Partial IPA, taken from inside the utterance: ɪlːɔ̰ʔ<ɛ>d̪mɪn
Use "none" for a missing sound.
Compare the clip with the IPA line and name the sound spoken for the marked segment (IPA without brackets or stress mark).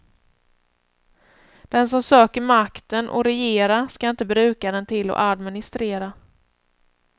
a